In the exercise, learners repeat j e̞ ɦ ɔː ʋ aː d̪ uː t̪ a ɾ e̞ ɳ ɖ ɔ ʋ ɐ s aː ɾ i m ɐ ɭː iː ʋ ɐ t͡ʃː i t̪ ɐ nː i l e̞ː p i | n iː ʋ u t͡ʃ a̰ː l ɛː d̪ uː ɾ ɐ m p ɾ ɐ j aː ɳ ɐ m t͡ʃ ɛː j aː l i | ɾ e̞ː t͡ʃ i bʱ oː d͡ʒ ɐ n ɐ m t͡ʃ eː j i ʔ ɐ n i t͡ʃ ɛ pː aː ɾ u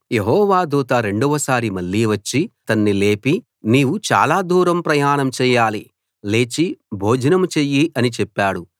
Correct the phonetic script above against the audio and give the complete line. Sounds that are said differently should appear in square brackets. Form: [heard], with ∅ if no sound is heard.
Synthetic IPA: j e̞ ɦ ɔː ʋ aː d̪ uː t̪ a ɾ e̞ ɳ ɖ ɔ ʋ ɐ s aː ɾ i m ɐ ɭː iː ʋ ɐ t͡ʃː i t̪ ɐ nː i l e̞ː p i | n iː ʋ u t͡ʃ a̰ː l [aː] d̪ uː ɾ ɐ m p ɾ ɐ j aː ɳ ɐ m t͡ʃ ɛː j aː l i | [l] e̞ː t͡ʃ i bʱ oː d͡ʒ ɐ n ɐ m t͡ʃ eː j i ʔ ɐ n i t͡ʃ ɛ pː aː [ɽ] u